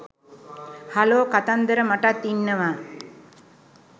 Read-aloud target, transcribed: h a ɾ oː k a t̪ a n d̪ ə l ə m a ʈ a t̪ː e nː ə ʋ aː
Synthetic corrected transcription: h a l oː k a t̪ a n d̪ ə ɾ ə m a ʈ a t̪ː i nː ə ʋ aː